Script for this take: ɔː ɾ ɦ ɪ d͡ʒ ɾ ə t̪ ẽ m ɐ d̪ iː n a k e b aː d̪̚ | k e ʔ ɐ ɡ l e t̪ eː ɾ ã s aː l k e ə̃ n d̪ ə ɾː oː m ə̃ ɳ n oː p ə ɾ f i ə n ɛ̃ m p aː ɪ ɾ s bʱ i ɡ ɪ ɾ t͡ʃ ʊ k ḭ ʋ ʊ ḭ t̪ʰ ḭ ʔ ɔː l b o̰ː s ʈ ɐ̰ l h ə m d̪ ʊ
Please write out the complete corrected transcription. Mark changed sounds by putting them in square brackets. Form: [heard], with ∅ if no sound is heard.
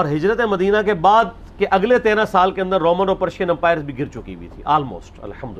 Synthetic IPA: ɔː ɾ ɦ ɪ d͡ʒ ɾ ə t̪ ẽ m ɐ d̪ iː n a k e b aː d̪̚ | k e ʔ ɐ ɡ l e t̪ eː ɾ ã s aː l k e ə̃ n d̪ ə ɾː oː m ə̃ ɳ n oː p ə ɾ [ʃ] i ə n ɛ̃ m p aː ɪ ɾ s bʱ i ɡ ɪ ɾ t͡ʃ ʊ k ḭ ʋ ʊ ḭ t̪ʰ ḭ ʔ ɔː l [m] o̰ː s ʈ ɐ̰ l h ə m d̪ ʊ